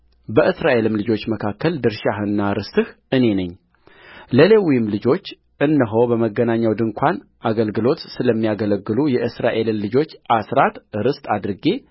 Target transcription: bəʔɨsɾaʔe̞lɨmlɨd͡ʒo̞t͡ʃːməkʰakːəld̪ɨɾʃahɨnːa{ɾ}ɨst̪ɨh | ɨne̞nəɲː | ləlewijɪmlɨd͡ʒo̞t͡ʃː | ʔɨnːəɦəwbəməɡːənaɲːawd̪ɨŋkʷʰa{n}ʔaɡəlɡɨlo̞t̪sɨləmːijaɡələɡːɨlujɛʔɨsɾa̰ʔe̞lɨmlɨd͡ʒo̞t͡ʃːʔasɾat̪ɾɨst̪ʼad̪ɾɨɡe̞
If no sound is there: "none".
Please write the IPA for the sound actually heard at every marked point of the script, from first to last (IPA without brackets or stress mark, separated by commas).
ɾ, n